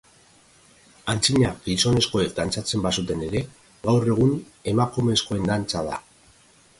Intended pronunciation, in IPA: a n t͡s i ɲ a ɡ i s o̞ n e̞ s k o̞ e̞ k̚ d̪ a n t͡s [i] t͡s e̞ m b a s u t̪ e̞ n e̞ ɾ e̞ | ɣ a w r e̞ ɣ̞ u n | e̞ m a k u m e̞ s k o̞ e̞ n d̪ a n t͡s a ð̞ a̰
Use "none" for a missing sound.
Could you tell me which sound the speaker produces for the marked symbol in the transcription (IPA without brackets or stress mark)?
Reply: a